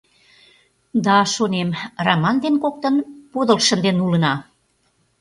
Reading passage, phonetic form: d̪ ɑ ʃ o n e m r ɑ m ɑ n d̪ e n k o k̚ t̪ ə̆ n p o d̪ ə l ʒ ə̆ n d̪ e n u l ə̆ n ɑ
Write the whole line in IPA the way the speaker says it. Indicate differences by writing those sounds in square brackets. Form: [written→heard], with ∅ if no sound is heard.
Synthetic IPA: d̪ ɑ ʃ o n e m r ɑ m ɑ n d̪ e n k o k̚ t̪ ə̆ n p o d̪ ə l [ʒ→ʃ] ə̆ n d̪ e n u l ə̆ n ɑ